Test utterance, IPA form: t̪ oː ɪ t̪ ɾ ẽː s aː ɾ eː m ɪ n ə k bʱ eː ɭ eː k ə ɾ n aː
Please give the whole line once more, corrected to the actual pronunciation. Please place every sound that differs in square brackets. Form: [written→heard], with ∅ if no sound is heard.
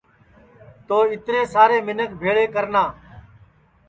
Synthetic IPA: t̪ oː ɪ t̪ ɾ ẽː s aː ɾ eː m ɪ n ə k bʱ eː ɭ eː k ə ɾ n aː